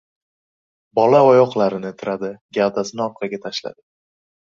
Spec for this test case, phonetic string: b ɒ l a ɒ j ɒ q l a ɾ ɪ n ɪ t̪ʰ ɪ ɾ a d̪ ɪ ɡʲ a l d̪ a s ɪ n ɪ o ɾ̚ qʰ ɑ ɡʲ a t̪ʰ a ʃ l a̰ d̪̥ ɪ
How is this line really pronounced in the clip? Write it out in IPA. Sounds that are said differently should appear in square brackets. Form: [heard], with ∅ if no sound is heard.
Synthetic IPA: b ɒ l a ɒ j ɒ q l a ɾ ɪ n ɪ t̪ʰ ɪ ɾ a d̪ ɪ ɡʲ a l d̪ a s ɪ n ɪ [ɒ] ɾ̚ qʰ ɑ ɡʲ a t̪ʰ a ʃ l a̰ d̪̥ ɪ